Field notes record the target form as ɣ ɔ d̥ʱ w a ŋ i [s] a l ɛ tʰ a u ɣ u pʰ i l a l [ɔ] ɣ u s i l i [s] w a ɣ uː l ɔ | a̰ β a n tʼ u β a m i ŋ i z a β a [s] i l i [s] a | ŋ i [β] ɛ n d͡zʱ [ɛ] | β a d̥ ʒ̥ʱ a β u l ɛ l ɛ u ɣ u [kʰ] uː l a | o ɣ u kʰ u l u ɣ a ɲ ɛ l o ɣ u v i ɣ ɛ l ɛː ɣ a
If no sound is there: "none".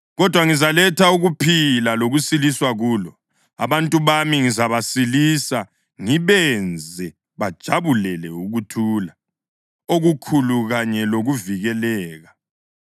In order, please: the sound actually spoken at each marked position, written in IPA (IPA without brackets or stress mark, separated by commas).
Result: z, o, s, s, s, β, ɛ, tʰ